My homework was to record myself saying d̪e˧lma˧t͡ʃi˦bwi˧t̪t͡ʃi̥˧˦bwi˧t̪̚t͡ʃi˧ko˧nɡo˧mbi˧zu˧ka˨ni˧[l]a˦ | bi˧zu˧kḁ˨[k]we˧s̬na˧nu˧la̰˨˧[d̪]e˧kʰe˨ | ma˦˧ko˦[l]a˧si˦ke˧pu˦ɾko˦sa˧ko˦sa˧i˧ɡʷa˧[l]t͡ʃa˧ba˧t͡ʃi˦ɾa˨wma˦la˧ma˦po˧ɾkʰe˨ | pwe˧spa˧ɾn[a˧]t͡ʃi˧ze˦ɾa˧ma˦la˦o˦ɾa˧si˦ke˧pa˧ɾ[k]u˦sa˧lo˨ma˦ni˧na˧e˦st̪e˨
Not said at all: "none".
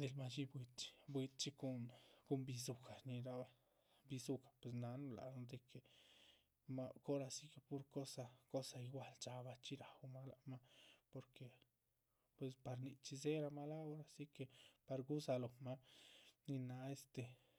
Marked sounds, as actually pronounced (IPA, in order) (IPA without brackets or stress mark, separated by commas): ɾ, p, d̪, ɾ, l, i˧, ɡ